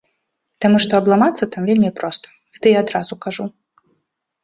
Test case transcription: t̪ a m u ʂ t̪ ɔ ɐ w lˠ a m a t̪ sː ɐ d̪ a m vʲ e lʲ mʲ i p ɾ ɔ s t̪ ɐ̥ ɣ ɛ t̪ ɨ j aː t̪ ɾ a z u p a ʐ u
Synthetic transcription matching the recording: t̪ a m u ʂ t̪ ɔ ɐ b lˠ a m a t̪ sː ɐ t̪ a m vʲ e lʲ mʲ i p ɾ ɔ s t̪ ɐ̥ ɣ ɛ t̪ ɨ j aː d̪ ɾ a z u k a ʐ u